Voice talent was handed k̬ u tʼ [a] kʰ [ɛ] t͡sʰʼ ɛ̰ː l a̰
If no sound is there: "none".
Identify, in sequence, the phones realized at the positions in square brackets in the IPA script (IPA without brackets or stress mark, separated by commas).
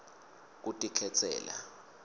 i, ɛ